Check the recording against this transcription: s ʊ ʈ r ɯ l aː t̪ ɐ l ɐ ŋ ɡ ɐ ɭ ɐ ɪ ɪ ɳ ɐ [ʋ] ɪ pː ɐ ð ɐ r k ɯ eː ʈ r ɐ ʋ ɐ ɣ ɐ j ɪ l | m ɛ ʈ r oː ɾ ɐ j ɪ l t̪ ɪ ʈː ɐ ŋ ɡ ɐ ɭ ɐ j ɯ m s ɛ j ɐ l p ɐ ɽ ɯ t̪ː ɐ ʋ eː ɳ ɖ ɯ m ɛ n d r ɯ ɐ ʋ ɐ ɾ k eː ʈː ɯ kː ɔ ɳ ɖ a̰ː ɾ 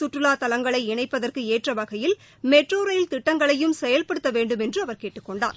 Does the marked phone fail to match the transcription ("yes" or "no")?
yes